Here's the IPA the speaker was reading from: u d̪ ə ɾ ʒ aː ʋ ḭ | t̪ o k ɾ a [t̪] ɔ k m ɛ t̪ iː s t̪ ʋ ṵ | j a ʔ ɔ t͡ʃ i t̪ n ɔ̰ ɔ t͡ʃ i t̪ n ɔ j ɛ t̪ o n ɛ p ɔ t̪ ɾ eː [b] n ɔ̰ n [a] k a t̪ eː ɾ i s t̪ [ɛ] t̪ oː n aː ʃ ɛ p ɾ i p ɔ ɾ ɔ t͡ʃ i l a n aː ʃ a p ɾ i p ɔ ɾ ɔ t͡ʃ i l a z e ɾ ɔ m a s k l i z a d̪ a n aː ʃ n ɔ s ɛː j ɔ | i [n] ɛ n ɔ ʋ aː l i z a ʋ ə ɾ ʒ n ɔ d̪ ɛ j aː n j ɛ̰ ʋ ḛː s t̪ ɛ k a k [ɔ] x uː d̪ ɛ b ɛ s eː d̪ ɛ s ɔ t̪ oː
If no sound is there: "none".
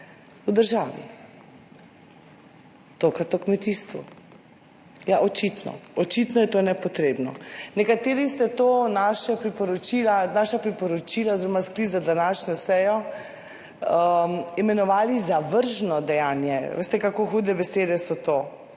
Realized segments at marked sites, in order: t̪, b, ɛ, ɛ, m, o

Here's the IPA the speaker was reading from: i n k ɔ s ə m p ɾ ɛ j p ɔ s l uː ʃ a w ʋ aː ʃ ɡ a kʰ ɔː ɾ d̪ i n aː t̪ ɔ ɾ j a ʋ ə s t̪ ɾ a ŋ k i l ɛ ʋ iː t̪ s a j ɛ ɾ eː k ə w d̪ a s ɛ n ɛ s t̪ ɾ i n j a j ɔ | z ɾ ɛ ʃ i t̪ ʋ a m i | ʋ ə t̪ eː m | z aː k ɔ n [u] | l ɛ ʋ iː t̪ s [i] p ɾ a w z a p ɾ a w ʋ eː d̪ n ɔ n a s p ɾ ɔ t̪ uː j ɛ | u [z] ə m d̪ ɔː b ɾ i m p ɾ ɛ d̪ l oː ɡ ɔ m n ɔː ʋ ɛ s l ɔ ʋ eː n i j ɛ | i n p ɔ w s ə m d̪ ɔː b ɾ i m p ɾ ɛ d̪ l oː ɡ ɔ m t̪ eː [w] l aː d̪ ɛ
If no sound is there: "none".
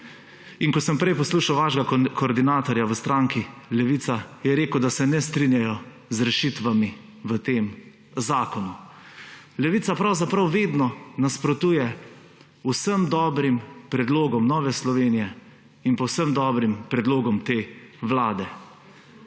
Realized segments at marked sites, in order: u, a, s, ʋ

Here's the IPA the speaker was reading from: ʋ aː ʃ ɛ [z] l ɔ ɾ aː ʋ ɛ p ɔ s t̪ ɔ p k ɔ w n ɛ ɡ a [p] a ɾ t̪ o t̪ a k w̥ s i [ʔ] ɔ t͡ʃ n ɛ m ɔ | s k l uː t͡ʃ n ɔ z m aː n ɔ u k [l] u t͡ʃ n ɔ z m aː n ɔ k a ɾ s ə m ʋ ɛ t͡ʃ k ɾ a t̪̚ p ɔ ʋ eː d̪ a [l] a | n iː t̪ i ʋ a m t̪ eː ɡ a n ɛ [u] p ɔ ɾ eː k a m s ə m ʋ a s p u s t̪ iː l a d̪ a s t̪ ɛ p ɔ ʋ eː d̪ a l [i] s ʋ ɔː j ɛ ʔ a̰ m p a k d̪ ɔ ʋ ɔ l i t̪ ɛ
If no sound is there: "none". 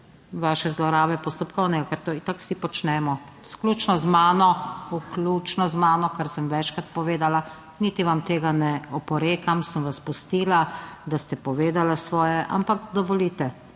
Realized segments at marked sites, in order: z, k, p, l, l, ɔ, a

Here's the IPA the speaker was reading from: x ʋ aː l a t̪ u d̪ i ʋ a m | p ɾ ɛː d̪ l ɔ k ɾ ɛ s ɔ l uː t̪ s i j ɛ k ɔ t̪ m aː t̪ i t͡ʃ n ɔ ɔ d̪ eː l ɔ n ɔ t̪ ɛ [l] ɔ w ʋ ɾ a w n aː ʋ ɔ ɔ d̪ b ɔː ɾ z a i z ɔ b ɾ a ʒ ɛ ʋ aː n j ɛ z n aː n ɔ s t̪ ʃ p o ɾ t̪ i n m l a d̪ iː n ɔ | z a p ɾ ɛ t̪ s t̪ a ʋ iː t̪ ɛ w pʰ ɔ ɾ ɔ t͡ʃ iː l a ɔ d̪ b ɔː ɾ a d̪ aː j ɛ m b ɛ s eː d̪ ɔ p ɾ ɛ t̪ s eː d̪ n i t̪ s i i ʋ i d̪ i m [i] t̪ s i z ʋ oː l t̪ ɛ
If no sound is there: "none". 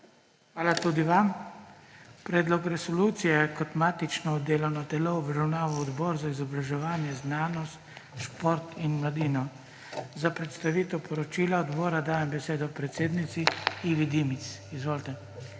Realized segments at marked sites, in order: l, i

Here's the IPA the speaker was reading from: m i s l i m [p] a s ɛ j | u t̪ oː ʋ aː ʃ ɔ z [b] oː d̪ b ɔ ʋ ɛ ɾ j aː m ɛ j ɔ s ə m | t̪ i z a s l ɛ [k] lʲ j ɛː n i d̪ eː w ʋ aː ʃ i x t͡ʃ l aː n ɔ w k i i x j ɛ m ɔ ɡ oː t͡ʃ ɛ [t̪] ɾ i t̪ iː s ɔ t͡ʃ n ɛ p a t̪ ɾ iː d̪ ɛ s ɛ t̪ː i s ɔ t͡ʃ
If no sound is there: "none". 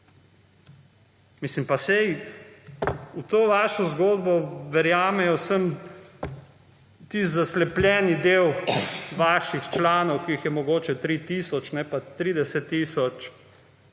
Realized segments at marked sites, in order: p, ɡ, p, t̪

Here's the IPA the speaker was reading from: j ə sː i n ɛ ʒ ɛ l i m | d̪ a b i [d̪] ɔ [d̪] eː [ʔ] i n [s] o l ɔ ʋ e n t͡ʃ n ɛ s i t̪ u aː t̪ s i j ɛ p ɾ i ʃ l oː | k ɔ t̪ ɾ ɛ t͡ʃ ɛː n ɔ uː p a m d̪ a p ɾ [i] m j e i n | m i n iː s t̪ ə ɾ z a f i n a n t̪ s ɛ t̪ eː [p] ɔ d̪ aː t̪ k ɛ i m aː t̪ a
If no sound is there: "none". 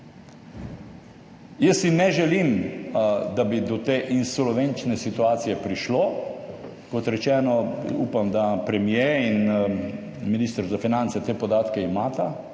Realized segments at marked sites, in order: d̪, t̪, ʔ, s, ɛ, p

